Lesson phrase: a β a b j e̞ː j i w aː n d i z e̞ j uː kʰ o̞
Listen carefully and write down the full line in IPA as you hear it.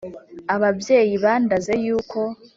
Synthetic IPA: a β a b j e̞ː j i β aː n d a z e̞ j uː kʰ o̞